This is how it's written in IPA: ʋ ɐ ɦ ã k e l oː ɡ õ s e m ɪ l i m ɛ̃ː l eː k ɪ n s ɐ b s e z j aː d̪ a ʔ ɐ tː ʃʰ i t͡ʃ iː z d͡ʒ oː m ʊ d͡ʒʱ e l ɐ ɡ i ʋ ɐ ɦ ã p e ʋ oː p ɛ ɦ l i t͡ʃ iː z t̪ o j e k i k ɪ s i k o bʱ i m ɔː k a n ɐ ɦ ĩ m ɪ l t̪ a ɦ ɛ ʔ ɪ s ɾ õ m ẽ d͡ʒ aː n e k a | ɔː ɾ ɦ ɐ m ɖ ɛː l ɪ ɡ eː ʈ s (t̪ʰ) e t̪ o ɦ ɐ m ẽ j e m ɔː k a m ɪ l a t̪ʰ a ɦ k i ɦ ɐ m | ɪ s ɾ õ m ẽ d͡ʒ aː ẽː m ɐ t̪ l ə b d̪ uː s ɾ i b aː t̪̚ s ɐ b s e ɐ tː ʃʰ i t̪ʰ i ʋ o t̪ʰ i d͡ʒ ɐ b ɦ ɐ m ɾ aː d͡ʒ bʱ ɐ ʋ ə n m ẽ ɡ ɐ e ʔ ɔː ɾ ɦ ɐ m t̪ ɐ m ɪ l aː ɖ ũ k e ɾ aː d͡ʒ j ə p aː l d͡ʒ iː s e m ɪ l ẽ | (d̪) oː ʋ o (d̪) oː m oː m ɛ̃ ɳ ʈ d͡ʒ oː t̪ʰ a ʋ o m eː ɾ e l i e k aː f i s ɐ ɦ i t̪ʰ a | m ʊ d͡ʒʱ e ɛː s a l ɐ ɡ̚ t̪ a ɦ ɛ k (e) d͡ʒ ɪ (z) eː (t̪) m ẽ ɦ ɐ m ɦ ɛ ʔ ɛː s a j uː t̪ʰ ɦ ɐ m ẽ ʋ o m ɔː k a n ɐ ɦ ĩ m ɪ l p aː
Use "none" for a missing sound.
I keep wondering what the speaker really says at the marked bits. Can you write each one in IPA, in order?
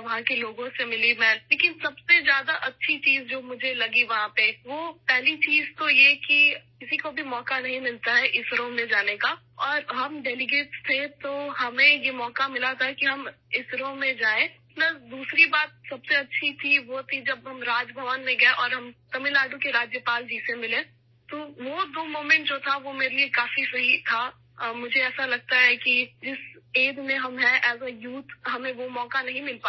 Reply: t̪ʰ, t̪, d̪, i, s, d̪

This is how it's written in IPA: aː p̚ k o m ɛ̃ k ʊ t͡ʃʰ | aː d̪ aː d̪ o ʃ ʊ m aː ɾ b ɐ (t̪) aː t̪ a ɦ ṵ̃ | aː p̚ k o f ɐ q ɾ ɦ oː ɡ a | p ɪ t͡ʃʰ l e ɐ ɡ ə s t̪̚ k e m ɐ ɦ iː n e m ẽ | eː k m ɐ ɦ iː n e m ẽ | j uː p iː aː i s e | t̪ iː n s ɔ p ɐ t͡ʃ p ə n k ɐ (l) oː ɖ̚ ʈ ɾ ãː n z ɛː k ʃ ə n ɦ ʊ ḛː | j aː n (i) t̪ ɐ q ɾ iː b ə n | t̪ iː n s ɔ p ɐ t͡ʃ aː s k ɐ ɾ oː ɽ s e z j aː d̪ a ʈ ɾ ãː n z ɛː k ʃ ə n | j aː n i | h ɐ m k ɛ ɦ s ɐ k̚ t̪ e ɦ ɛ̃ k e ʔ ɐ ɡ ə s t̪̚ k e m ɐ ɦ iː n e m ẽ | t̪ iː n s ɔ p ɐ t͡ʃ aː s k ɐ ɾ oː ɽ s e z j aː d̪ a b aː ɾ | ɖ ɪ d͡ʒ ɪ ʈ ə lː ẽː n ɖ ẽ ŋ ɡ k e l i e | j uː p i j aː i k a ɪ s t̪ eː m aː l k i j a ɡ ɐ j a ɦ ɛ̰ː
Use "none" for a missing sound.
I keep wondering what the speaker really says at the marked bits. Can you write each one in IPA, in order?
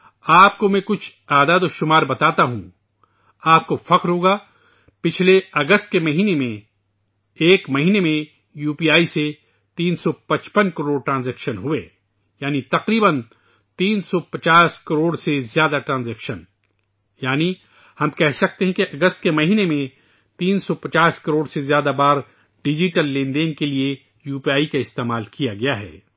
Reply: t̪, ɾ, i

